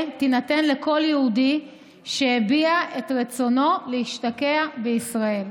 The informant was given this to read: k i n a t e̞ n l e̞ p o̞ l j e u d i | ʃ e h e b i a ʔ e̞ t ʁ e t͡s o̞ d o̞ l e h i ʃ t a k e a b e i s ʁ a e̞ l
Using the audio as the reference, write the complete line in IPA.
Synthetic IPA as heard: t i n a t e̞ n l e̞ k o̞ l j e u d i | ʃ e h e b i a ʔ e̞ t ʁ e t͡s o̞ n o̞ l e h i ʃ t a k e a b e i s ʁ a e̞ l